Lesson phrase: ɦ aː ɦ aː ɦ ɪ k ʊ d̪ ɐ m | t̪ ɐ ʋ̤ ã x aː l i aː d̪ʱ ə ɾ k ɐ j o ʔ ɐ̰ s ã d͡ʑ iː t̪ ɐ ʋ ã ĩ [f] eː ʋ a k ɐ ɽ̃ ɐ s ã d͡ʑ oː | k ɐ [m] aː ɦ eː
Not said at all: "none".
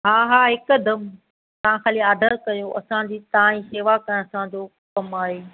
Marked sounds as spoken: s, m

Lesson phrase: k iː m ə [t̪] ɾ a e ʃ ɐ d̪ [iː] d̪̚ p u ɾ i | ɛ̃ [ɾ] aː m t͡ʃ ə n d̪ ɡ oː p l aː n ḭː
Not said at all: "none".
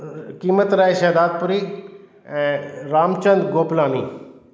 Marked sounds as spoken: t̪, aː, ɾ

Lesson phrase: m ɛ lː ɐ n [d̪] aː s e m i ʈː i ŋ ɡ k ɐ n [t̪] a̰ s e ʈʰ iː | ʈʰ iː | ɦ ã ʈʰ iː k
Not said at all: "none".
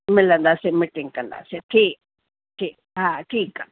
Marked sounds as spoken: d̪, d̪

